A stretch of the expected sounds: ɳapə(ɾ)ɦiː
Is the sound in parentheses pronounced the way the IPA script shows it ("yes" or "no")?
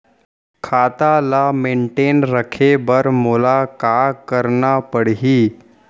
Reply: no